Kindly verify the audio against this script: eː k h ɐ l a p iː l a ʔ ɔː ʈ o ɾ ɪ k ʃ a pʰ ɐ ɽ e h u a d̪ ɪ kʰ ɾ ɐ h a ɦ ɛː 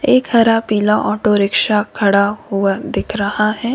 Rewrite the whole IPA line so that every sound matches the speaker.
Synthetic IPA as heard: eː k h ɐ ɾ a p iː l a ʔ ɔː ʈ o ɾ ɪ k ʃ a kʰ ɐ ɽ a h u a d̪ ɪ kʰ ɾ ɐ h a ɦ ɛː